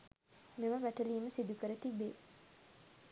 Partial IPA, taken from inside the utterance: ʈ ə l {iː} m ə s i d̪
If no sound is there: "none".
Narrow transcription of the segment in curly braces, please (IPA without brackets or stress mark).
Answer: iː